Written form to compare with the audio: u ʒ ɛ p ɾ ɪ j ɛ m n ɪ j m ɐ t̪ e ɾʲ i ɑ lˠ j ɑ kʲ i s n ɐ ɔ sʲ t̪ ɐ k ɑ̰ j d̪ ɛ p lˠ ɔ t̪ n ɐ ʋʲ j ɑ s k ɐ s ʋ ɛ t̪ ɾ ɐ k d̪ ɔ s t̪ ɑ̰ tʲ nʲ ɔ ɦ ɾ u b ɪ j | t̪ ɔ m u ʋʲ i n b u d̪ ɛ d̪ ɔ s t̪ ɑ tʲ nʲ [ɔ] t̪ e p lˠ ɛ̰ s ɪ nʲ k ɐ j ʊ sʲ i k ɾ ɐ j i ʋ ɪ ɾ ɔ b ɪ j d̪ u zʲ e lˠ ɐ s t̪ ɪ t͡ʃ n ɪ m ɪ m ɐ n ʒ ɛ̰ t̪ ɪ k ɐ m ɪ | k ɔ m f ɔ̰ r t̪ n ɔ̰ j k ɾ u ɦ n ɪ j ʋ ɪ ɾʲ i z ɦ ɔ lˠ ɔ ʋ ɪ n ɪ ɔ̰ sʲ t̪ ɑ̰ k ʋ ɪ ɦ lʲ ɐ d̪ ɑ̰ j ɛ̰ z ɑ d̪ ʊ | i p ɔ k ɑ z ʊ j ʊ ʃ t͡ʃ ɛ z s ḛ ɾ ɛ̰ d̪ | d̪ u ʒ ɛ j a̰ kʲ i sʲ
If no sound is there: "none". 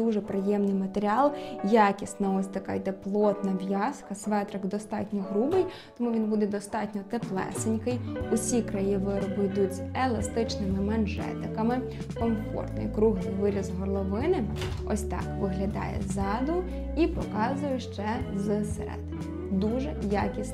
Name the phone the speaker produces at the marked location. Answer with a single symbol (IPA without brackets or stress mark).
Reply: ɔ